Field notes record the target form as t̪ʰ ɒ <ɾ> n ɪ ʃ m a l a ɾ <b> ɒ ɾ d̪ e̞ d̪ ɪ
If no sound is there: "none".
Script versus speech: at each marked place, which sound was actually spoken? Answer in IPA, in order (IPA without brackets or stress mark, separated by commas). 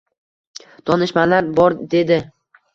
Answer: none, b